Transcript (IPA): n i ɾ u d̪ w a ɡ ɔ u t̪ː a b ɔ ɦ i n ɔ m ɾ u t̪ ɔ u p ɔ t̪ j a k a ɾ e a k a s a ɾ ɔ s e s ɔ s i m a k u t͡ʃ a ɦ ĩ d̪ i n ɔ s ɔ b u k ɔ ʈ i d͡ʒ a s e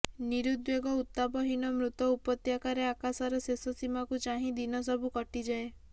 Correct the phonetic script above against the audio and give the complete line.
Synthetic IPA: n i ɾ u d̪ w e ɡ ɔ u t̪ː a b ɔ ɦ i n ɔ m ɾ u t̪ ɔ u p ɔ t̪ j a k a ɾ e a k a s a ɾ ɔ s e s ɔ s i m a k u t͡ʃ a ɦ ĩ d̪ i n ɔ s ɔ b u k ɔ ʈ i d͡ʒ a e